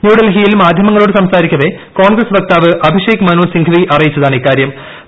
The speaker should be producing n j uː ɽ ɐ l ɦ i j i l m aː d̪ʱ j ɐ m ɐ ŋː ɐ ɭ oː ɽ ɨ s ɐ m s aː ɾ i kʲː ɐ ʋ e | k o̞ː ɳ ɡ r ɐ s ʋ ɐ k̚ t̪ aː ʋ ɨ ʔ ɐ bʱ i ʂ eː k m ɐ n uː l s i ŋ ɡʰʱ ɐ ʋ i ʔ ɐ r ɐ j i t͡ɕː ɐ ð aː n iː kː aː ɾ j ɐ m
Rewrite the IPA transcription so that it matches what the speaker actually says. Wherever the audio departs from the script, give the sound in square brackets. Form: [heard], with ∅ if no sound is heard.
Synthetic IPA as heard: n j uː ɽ ɐ l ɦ i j i l m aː d̪ʱ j ɐ m ɐ ŋː ɐ ɭ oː ɽ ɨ s ɐ m s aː ɾ i kʲː ɐ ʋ e | k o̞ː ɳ ɡ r ɐ s ʋ ɐ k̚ t̪ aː ʋ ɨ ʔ ɐ bʱ i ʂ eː k m ɐ n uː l s i ŋ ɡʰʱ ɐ ʋ i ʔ ɐ r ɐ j i t͡ɕː ɐ ð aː [ɳ] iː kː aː ɾ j ɐ m